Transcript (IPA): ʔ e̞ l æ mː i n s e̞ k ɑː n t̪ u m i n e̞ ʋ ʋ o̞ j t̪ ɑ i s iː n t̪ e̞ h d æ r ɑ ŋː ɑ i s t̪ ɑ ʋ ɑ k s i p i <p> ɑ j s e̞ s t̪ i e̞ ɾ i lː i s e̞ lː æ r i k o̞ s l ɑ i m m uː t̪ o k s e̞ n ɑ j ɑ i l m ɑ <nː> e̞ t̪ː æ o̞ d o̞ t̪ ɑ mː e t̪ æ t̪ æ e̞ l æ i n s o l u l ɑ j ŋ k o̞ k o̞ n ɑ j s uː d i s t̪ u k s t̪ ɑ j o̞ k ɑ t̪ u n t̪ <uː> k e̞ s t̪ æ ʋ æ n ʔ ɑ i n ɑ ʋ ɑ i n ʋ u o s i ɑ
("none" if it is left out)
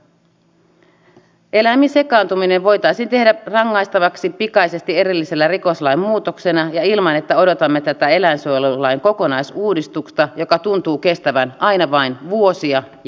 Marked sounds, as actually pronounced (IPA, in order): k, n, uː

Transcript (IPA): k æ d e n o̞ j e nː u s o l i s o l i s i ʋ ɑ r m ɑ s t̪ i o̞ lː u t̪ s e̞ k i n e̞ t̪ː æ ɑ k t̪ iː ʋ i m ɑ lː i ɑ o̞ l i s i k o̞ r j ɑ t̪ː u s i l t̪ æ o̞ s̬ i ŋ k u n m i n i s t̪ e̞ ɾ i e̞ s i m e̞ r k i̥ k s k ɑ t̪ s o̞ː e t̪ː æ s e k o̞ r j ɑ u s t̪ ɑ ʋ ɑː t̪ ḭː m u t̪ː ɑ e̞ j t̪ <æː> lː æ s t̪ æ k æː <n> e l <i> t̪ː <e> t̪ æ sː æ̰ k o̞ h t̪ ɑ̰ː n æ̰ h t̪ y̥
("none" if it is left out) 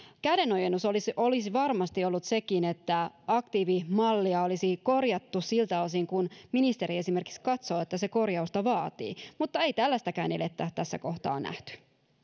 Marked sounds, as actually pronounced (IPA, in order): æ, n, e, æ

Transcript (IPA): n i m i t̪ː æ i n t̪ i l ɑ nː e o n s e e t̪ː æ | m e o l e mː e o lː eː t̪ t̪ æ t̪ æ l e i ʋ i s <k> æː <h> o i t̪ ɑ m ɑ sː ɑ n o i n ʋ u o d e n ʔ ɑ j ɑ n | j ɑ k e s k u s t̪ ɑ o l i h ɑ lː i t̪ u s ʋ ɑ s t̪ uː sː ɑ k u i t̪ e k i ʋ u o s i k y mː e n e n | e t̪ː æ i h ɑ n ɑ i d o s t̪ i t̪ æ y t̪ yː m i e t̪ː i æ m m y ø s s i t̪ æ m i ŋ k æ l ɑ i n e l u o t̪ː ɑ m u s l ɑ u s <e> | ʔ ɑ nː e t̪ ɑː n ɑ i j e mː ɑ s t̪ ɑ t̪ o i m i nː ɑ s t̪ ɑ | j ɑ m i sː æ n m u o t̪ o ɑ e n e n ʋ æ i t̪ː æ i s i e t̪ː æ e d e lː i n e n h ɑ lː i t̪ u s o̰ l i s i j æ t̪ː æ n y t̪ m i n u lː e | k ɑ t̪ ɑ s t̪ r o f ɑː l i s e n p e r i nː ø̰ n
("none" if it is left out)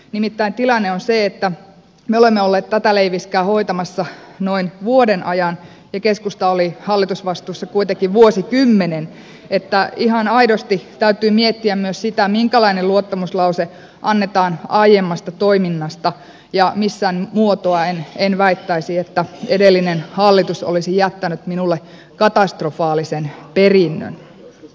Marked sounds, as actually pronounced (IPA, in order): k, h, e

